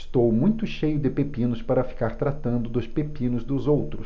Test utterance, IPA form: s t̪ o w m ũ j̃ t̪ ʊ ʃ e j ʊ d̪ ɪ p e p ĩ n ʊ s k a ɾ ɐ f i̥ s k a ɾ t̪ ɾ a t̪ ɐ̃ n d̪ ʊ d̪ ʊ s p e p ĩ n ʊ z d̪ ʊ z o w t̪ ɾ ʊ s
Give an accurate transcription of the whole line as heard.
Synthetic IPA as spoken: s t̪ o w m ũ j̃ t̪ ʊ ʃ e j ʊ d̪ ɪ p e p ĩ n ʊ s p a ɾ ɐ f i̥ k a ɾ t̪ ɾ a t̪ ɐ̃ n d̪ ʊ d̪ ʊ s p e p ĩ n ʊ z d̪ ʊ z o w t̪ ɾ ʊ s